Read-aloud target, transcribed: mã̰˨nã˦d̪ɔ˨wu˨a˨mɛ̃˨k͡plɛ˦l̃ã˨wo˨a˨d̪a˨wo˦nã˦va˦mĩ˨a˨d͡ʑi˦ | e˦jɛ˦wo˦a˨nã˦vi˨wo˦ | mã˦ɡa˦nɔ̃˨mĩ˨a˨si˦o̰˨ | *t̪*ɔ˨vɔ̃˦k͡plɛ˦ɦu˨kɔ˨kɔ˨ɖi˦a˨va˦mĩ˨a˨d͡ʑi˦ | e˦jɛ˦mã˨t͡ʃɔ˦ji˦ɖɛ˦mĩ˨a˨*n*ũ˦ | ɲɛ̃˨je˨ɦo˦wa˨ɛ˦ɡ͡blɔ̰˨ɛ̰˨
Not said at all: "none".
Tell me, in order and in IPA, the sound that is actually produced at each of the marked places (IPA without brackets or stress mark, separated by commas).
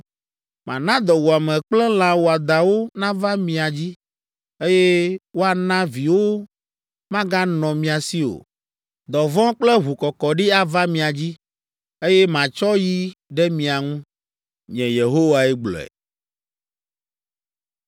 d̪, ŋ